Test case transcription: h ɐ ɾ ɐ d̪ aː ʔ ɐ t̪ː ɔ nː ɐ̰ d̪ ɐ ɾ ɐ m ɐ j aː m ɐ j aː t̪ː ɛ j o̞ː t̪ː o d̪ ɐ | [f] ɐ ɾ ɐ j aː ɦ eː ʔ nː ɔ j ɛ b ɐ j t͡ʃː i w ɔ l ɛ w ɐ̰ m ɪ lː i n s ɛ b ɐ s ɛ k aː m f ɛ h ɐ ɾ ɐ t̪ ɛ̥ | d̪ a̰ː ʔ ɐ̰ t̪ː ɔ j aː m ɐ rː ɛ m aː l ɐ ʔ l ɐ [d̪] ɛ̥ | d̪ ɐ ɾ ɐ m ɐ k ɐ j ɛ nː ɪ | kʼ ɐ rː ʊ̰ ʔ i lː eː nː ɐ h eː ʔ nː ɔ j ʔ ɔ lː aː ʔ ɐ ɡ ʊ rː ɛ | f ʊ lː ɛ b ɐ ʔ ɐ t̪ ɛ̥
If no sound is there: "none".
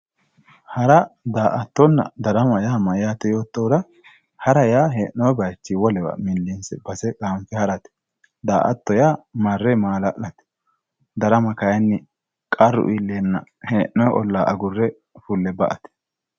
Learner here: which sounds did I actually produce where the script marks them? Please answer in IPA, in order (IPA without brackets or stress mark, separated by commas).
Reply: h, t̪